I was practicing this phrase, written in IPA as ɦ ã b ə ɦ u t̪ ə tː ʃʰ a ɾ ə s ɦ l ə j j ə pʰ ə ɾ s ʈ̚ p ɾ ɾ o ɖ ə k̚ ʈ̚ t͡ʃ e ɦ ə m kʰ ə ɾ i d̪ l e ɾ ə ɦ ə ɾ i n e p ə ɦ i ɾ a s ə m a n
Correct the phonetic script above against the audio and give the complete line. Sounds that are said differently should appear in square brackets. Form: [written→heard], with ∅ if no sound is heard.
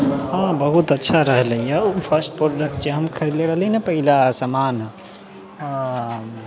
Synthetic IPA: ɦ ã b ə ɦ u t̪ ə tː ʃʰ a ɾ ə [s→∅] ɦ l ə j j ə pʰ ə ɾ s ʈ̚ p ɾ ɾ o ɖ ə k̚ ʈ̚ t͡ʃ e ɦ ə m kʰ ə ɾ i d̪ l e ɾ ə ɦ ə [ɾ→l] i n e p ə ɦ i [ɾ→l] a s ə m a n